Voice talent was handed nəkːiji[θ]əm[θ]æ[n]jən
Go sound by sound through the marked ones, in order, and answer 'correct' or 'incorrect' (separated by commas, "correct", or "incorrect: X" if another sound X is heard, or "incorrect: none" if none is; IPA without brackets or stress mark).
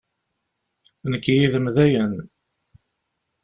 incorrect: ð, incorrect: ð, incorrect: none